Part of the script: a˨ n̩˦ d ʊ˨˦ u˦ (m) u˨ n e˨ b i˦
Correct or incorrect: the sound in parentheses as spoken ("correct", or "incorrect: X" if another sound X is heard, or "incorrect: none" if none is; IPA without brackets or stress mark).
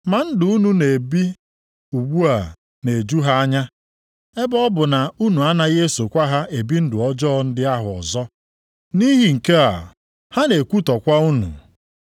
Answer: incorrect: n